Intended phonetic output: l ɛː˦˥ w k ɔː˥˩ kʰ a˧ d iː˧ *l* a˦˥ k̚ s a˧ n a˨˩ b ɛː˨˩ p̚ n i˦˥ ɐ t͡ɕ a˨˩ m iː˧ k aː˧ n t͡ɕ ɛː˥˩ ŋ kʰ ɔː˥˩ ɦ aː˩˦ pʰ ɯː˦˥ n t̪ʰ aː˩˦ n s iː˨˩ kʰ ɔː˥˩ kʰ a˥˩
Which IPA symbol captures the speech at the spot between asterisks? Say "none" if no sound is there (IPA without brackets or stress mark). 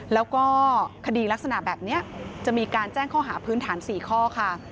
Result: l